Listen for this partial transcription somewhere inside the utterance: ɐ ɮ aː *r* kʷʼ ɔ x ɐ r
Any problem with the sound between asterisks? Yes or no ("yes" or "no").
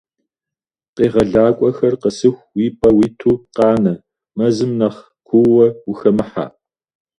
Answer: yes